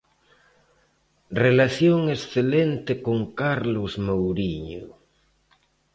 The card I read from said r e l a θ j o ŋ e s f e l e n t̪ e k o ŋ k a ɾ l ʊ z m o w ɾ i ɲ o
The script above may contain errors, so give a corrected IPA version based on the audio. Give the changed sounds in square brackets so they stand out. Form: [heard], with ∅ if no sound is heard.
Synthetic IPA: r e l a θ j o ŋ e s [θ] e l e n t̪ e k o ŋ k a ɾ l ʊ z m o w ɾ i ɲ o